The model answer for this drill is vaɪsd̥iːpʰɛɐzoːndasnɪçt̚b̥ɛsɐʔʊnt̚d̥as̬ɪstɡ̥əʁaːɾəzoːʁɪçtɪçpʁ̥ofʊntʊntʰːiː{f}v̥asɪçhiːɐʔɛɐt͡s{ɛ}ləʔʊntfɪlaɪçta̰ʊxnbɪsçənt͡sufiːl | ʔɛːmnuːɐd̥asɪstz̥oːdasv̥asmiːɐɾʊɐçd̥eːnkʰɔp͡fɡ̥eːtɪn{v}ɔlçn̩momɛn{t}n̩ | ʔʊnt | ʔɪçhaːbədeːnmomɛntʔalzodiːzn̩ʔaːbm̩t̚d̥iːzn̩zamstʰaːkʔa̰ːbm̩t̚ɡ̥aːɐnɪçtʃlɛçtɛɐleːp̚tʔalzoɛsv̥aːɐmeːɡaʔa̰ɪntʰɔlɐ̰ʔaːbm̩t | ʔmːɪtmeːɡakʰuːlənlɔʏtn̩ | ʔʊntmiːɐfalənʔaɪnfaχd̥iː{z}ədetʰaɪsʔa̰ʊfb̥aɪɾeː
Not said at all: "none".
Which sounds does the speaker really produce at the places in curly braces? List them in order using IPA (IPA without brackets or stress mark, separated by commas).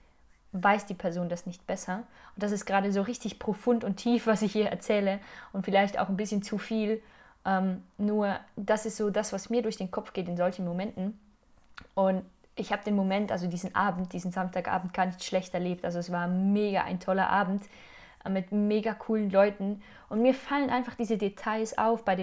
f, ɛː, z, t, z